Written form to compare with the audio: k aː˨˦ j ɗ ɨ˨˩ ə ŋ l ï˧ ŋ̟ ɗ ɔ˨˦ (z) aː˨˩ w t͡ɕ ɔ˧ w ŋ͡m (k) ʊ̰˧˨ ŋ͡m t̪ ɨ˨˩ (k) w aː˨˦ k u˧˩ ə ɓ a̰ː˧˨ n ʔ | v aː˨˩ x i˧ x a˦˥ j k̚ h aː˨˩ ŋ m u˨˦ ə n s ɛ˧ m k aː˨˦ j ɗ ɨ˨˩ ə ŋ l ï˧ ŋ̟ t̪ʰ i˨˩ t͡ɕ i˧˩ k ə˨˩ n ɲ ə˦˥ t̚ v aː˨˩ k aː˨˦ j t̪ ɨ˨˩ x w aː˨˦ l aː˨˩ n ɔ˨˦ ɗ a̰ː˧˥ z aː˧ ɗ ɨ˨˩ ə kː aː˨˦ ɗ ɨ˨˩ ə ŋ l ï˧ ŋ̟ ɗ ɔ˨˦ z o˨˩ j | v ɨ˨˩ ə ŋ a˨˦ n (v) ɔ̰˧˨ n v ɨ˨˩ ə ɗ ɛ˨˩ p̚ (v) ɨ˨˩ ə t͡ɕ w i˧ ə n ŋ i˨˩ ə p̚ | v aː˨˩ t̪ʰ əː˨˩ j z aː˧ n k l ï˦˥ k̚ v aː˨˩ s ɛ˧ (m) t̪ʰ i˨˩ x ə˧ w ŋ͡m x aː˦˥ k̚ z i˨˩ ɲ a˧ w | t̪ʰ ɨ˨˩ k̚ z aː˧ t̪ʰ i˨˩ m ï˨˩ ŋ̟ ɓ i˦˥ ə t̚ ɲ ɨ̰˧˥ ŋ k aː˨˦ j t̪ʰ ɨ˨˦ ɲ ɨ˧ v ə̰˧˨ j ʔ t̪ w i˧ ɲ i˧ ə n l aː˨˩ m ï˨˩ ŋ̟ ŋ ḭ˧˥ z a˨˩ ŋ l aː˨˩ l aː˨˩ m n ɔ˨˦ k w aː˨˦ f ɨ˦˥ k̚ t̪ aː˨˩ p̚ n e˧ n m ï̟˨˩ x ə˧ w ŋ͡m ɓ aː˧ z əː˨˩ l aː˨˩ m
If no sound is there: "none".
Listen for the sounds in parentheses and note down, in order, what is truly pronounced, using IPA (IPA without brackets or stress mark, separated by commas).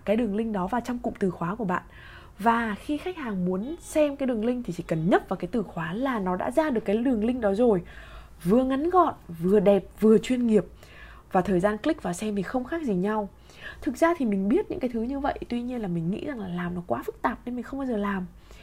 v, k, x, ɣ, v, m